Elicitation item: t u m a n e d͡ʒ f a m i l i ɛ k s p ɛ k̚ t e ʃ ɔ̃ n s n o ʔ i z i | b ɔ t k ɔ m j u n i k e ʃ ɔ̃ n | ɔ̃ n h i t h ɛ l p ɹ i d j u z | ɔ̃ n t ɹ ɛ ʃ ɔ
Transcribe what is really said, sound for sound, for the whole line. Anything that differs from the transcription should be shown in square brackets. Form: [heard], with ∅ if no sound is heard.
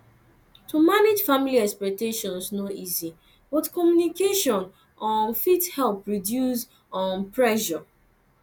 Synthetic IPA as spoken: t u m a n e d͡ʒ f a m i l i ɛ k s p ɛ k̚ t e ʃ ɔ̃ n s n o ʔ i z i | b ɔ t k ɔ m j u n i k e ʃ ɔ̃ n | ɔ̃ n [f] i t h ɛ l p ɹ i d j u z | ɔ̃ n [p] ɹ ɛ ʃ ɔ

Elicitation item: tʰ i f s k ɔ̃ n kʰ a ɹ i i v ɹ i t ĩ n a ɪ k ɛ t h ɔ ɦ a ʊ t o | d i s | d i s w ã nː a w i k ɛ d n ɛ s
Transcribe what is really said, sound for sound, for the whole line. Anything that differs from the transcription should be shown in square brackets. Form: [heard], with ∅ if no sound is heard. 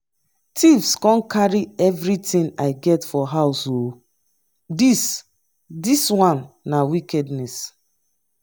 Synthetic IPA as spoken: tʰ i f s k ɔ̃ n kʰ a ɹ i [ɛ] v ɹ i t ĩ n a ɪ [ɡ] ɛ t [f] ɔ ɦ a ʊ [s] o | d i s | d i s w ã nː a w i k ɛ d n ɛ s

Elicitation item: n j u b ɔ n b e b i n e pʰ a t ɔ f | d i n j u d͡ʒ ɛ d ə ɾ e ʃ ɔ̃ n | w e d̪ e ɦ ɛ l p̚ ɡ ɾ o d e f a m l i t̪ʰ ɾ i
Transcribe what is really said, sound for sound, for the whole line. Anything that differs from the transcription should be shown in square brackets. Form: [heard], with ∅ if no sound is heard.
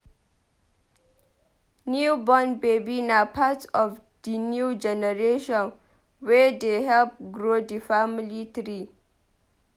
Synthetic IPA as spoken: n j u b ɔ n b e b i n [a] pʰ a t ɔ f | d i n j u d͡ʒ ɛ [n] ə ɾ e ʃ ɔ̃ n | w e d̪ e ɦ ɛ l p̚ ɡ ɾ o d [i] f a m l i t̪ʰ ɾ i

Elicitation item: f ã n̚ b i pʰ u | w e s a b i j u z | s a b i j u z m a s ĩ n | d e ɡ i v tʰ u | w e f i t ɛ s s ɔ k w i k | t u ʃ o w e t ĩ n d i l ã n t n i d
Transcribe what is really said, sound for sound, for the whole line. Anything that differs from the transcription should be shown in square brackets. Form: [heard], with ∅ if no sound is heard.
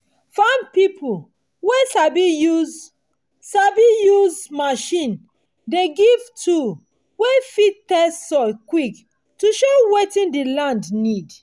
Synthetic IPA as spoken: f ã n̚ [p] i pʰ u | w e s a b i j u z | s a b i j u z m a [ʃ] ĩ n | d e ɡ i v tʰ u | w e f i t ɛ s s ɔ k w i k | t u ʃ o w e t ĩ n d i l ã n [d] n i d

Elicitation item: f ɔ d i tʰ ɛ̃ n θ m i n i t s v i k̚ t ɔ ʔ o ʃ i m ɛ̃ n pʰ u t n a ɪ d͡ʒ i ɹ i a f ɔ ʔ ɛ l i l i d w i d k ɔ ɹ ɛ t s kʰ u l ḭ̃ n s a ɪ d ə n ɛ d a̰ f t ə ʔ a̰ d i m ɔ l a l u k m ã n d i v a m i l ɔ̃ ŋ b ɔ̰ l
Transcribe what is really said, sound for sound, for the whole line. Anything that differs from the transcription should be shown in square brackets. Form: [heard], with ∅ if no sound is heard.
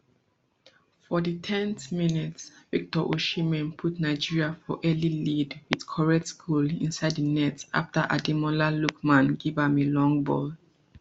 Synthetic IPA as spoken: f ɔ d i tʰ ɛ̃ n θ m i n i t s v i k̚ t ɔ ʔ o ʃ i m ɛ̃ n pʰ u t n a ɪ d͡ʒ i ɹ i a f ɔ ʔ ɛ l i l i d w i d [kʰ] ɔ ɹ ɛ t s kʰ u l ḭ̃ n s a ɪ d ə n ɛ [t] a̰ f t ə ʔ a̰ d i m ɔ l a l u k m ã n [ɡ] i v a m i l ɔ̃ ŋ b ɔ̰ l

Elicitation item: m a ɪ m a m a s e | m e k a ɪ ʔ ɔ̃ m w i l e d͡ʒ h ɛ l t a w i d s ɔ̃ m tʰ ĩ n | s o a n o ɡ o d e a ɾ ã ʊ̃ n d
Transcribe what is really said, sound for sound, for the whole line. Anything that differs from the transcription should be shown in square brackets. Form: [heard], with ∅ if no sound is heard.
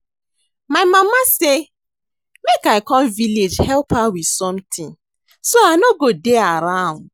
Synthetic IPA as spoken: m a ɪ m a m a s e | m e k a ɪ [k] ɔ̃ m [v] i l e d͡ʒ h ɛ l [p] a w i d s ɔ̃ m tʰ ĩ n | s o a n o ɡ o d e a ɾ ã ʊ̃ n d

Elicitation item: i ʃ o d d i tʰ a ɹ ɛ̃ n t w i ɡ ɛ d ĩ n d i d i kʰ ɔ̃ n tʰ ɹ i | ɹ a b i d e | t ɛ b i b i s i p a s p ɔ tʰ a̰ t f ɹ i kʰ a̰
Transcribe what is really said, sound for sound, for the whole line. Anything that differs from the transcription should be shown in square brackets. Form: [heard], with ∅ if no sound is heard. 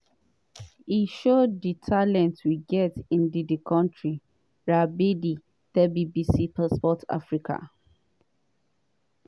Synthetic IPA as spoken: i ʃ o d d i tʰ a [l] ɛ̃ n t w i ɡ ɛ [t] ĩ n d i d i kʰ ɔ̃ n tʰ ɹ i | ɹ a b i d [i] | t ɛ b i b i s i p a s p ɔ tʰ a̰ [∅] f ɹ i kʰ a̰

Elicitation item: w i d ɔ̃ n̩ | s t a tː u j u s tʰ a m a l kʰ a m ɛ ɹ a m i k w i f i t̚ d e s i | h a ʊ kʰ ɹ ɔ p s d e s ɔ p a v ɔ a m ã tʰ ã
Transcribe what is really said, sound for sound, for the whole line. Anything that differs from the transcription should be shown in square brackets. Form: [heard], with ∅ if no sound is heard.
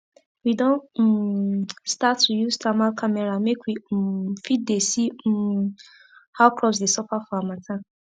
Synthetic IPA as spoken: w i d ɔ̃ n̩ | s t a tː u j u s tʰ a m a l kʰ a m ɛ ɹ a m [e] k w i f i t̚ d e s i | h a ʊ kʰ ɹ ɔ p s d e s ɔ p a [f] ɔ a m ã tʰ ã

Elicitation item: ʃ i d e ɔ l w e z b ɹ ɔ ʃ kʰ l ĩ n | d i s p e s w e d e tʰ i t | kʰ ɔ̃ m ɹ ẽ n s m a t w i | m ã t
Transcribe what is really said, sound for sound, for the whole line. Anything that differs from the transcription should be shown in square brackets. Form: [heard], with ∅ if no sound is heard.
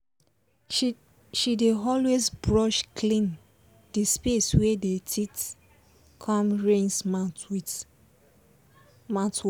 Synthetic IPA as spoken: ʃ i d e ɔ l w e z b ɹ ɔ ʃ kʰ l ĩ n | d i s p e s w e d e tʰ i t | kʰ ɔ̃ m ɹ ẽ n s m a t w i | m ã t

